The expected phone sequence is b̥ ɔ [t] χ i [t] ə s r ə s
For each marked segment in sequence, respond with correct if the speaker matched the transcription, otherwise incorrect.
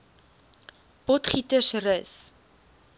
correct, correct

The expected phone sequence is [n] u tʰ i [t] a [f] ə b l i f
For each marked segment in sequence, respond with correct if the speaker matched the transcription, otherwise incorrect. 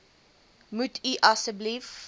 incorrect: m, incorrect: ʔ, incorrect: s

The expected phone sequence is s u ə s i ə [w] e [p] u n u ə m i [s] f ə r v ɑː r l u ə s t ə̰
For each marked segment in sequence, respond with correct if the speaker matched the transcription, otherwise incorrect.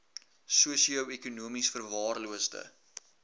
correct, incorrect: k, correct

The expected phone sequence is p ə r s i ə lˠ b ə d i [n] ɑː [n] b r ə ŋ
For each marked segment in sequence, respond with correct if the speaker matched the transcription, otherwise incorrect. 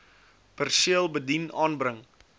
correct, correct

